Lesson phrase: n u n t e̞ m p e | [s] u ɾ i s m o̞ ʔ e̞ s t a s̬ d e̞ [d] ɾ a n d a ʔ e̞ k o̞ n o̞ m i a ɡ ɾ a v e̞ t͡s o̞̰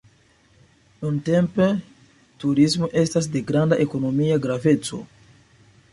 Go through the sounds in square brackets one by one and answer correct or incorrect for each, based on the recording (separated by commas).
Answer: incorrect, incorrect